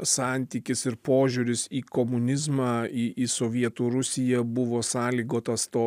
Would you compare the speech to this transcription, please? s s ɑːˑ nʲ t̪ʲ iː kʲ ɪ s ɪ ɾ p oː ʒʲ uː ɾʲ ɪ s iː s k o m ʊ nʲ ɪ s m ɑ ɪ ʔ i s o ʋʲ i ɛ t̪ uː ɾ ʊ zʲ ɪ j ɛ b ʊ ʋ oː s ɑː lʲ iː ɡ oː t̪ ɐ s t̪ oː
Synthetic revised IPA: s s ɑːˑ nʲ t̪ʲ iː kʲ ɪ s ɪ ɾ p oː ʒʲ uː ɾʲ ɪ s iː k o m ʊ nʲ ɪ z m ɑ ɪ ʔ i s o ʋʲ i ɛ t̪ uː ɾ ʊ sʲ ɪ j ɛ b ʊ ʋ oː s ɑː lʲ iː ɡ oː t̪ ɐ s t̪ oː